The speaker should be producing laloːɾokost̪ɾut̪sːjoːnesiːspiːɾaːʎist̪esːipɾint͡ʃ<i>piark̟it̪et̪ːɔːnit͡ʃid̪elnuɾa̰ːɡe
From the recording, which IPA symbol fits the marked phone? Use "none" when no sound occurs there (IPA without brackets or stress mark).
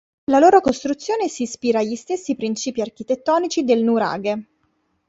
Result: iː